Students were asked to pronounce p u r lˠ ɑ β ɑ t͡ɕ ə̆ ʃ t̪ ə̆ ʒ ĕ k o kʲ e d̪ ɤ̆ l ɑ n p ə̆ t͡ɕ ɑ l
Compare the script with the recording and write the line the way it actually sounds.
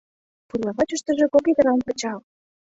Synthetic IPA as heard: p u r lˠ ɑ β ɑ t͡ɕ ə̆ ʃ t̪ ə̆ ʒ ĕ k o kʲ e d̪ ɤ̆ ɾ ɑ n p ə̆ t͡ɕ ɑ l